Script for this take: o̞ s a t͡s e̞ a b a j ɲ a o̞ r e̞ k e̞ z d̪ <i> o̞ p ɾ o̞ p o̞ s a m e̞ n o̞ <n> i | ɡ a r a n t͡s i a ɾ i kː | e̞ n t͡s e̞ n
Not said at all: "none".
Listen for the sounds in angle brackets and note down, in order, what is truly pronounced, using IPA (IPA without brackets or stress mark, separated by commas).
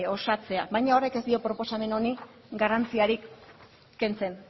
i, n